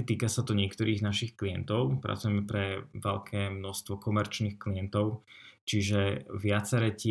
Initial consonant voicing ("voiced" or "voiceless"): voiceless